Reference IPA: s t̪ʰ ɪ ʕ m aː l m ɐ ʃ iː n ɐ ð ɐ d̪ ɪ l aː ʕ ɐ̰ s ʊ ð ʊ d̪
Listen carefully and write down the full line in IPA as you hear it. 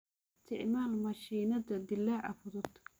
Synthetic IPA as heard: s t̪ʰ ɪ ʕ m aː l m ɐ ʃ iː n ɐ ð ɐ d̪ ɪ l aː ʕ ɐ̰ f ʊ ð ʊ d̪